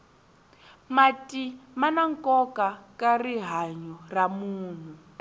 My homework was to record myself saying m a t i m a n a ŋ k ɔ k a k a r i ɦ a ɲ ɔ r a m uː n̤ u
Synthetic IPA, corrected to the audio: m a t i m a n a ŋ k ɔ k a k a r i ɦ a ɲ ɔ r a m uː n̤ u

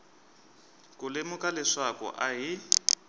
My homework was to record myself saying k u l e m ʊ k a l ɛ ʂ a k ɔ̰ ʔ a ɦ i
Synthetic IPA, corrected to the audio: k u l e m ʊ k a l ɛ ʂ a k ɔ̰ ʔ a ɦ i

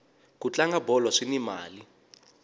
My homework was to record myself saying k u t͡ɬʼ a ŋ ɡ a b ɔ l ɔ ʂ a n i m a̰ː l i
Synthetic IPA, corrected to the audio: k u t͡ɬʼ a ŋ ɡ a b ɔ l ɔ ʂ i n i m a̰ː l i

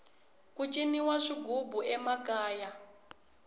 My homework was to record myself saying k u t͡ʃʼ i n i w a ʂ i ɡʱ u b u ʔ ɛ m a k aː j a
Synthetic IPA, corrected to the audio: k u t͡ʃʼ i n i w a ʂ i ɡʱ u b u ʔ ɛ m a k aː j a

